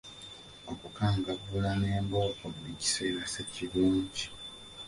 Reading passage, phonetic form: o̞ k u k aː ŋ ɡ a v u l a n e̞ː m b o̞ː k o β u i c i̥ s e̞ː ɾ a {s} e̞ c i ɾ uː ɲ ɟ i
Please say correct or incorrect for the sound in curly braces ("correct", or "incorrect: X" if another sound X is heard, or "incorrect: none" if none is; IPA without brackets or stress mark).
correct